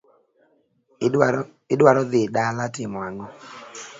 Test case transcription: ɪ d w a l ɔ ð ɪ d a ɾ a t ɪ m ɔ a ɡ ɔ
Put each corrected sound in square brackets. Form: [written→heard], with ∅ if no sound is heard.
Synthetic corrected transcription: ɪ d w a [l→ɾ] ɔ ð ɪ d a [ɾ→l] a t ɪ m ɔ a [ɡ→ŋ] ɔ